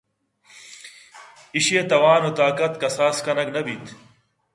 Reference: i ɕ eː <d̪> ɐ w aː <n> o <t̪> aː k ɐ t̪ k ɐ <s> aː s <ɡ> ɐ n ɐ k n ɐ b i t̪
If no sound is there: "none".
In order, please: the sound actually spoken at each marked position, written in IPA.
t̪, n, t̪, s, k

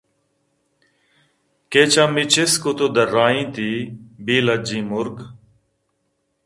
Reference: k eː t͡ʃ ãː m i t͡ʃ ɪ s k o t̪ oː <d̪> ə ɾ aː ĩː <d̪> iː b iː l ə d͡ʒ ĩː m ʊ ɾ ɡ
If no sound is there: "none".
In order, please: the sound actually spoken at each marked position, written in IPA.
d̪, t̪

